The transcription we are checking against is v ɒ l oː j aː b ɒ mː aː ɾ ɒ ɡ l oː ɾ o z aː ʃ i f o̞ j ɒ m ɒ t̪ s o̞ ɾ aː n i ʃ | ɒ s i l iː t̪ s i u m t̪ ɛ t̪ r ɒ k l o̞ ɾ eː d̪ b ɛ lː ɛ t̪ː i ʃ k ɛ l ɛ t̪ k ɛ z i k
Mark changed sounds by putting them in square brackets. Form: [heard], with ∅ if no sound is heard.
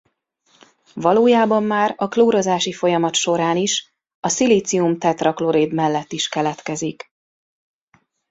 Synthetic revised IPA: v ɒ l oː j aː b ɒ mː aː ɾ ɒ [k] l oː ɾ o z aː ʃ i f o̞ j ɒ m ɒ t̪ [ʃ] o̞ ɾ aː n i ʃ | ɒ s i l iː t̪ s i u m t̪ ɛ t̪ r ɒ k l o̞ ɾ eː d̪ [m] ɛ lː ɛ t̪ː i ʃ k ɛ l ɛ t̪ k ɛ z i k